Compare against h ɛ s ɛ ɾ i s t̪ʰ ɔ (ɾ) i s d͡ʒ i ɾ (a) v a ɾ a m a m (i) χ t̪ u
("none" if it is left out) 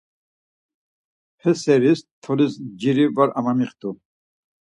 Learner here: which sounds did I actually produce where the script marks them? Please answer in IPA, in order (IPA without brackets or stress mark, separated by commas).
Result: l, i, i